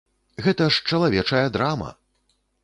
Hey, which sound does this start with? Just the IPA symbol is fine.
ɣ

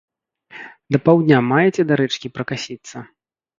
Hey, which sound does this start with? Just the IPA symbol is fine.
d̪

